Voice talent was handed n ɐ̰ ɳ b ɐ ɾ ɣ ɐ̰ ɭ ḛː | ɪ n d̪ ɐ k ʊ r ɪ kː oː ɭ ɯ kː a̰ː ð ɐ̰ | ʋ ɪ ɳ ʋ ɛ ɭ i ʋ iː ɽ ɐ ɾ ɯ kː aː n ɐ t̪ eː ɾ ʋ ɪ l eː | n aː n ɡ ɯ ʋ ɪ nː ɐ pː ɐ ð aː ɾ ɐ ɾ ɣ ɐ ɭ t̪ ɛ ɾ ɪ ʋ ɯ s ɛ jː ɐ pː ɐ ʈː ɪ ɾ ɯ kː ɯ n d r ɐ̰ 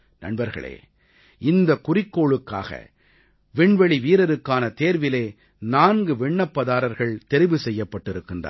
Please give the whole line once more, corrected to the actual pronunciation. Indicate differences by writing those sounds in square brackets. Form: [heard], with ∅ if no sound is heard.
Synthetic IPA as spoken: n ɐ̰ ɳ b ɐ ɾ ɣ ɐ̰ ɭ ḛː | ɪ n d̪ ɐ k ʊ r ɪ kː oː ɭ ɯ kː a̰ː [ɣ] ɐ̰ | ʋ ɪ ɳ ʋ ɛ ɭ i ʋ iː [ɾ] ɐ ɾ ɯ kː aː n ɐ t̪ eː ɾ ʋ ɪ l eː | n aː n ɡ ɯ ʋ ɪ [ɳː] ɐ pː ɐ ð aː ɾ ɐ ɾ ɣ ɐ ɭ t̪ ɛ ɾ ɪ ʋ ɯ s ɛ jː ɐ pː ɐ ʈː ɪ ɾ ɯ kː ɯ n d r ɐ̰